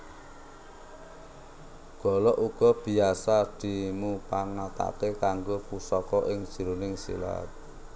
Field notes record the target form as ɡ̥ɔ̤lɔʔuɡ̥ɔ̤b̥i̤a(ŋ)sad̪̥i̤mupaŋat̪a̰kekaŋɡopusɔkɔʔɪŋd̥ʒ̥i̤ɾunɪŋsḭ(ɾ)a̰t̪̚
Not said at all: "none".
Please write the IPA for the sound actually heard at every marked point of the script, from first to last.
none, l

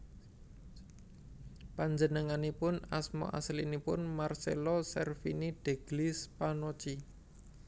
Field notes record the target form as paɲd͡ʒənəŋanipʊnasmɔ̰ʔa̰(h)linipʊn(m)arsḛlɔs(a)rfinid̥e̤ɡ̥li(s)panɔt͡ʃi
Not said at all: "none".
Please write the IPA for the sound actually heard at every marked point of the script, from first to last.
s, m, ɛ, s

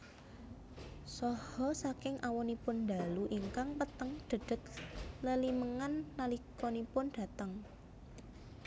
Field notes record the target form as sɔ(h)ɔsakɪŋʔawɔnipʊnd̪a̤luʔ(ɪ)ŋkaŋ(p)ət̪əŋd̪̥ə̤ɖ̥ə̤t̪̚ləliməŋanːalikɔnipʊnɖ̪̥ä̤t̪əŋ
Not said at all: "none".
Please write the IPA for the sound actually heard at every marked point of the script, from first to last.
h, i, p

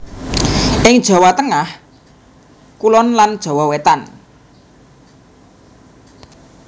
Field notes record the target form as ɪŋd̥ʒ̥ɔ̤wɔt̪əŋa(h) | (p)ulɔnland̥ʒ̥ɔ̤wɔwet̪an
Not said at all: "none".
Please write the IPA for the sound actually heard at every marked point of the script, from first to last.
h, k

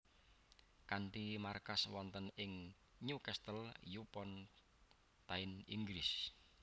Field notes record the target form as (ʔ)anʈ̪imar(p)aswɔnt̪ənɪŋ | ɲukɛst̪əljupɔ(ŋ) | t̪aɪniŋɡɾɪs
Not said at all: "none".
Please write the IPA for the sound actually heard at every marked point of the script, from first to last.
k, k, n

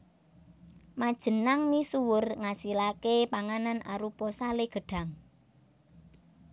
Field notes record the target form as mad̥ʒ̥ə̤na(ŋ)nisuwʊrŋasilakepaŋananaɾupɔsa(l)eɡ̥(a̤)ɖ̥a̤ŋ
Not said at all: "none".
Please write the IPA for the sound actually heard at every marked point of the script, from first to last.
ŋ, l, ə̤

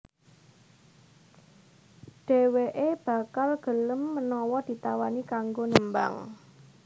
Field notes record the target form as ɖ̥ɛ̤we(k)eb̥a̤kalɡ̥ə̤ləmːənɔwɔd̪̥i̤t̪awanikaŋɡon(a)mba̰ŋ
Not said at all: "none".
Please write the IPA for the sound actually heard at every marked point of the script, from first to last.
ʔ, ə

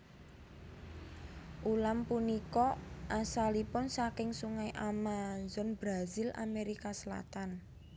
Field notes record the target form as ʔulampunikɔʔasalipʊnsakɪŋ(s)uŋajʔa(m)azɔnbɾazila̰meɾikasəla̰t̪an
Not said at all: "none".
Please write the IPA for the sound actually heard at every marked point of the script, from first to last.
s, m

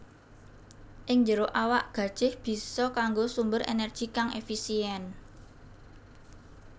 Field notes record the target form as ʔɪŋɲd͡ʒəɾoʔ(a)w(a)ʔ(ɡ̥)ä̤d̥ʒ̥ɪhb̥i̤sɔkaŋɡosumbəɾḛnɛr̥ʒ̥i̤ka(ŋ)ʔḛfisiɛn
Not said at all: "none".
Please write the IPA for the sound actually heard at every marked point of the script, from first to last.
a, a, ɡ̥, ŋ

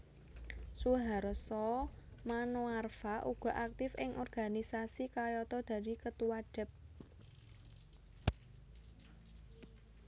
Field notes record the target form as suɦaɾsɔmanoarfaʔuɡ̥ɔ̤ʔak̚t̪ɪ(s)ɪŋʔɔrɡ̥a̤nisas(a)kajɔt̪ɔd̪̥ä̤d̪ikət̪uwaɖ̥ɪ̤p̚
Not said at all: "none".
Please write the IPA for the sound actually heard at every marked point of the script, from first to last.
f, i

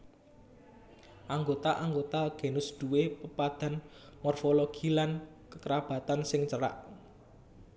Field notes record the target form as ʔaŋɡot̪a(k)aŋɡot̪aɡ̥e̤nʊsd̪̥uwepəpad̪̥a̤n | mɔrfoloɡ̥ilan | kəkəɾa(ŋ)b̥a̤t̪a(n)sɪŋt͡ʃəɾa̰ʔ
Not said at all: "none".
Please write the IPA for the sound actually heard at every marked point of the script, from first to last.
ʔ, none, n

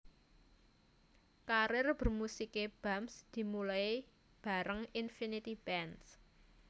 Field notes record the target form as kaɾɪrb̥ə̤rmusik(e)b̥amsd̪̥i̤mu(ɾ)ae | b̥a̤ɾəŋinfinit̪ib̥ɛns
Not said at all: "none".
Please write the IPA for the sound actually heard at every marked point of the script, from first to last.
e, l

